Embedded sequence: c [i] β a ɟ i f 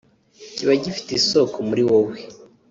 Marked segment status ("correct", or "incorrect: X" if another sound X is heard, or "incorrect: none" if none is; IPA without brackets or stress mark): correct